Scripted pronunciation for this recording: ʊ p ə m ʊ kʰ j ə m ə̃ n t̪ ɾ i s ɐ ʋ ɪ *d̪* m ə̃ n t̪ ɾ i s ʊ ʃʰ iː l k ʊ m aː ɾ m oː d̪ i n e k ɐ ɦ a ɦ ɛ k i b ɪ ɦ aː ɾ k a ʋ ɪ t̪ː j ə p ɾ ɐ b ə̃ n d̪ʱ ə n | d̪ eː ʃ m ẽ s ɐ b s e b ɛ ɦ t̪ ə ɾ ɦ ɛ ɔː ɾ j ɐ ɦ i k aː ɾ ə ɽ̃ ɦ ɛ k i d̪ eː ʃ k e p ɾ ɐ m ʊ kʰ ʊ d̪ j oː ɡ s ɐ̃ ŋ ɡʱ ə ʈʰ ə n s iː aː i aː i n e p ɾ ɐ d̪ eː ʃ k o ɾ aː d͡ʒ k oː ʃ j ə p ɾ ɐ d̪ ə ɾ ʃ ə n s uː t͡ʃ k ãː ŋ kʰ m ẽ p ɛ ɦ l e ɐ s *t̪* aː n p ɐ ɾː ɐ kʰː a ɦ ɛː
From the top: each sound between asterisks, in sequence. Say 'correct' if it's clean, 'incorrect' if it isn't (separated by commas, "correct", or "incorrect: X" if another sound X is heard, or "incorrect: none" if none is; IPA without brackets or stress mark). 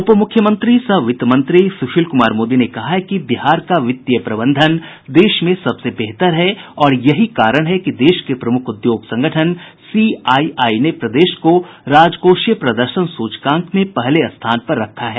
incorrect: t̪, incorrect: t̪ʰ